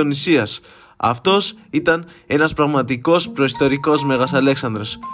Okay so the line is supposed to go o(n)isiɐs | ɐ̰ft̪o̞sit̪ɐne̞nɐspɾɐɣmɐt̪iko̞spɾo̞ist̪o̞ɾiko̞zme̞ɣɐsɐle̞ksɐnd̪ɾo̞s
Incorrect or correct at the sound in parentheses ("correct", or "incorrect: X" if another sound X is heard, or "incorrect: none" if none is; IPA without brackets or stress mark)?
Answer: correct